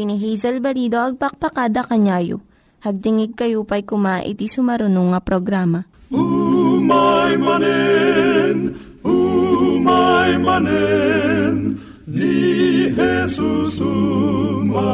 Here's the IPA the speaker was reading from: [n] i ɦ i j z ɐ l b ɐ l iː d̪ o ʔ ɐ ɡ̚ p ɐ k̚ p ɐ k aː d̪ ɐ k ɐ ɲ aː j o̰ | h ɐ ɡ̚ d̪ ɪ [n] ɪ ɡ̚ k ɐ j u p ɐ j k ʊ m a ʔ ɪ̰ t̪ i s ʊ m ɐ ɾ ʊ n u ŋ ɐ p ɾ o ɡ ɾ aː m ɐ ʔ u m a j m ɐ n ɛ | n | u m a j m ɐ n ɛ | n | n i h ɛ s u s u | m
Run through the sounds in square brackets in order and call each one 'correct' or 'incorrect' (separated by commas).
correct, incorrect